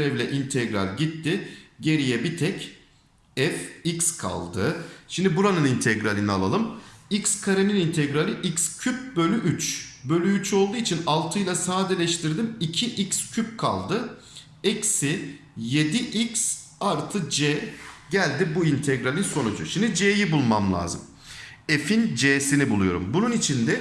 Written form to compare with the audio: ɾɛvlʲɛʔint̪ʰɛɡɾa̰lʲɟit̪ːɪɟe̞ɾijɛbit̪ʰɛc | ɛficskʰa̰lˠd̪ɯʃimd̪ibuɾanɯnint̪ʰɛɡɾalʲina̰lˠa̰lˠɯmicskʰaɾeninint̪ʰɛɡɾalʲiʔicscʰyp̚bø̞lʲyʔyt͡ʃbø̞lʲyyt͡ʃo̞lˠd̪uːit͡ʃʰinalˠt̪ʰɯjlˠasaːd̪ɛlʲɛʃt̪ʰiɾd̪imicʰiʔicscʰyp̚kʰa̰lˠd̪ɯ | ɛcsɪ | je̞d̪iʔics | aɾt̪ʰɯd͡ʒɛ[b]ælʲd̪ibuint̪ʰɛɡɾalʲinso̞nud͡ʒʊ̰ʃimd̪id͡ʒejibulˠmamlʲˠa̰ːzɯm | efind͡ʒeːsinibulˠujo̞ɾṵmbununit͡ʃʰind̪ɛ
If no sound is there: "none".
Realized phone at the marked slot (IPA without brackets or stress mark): ɟ